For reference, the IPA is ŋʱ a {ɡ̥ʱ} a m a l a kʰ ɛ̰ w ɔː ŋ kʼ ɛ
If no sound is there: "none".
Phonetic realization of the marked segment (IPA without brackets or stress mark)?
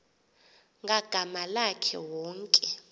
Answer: ɡ̥ʱ